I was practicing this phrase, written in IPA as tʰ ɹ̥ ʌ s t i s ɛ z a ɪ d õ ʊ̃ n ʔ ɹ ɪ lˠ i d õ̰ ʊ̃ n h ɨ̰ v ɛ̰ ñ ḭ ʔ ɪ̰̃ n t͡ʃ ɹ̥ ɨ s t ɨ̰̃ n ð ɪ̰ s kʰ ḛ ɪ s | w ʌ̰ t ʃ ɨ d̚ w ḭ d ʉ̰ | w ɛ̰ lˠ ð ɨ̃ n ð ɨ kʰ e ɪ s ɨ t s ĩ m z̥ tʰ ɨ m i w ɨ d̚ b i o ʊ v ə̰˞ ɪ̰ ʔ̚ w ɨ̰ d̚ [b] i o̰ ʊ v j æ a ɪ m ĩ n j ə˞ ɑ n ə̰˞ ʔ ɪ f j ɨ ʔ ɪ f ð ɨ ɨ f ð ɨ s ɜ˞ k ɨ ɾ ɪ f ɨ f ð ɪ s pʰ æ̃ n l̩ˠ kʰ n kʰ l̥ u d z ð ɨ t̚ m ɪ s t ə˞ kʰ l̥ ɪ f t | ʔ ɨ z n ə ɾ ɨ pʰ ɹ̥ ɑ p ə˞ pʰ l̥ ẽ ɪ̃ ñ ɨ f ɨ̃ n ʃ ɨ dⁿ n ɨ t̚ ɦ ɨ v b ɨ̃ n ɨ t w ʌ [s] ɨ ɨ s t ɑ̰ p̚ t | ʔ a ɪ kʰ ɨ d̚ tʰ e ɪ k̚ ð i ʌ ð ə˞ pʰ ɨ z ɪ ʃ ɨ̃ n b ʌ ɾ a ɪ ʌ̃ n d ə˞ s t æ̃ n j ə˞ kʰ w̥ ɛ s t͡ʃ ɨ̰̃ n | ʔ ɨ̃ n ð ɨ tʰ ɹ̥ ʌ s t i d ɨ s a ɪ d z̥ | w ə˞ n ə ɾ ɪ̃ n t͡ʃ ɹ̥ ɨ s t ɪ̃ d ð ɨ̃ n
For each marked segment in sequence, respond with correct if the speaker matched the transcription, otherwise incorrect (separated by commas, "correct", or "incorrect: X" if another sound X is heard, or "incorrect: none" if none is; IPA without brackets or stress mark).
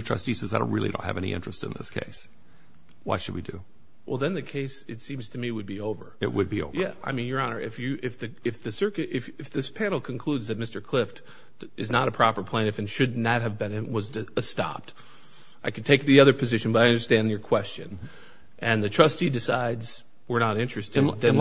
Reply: correct, incorrect: z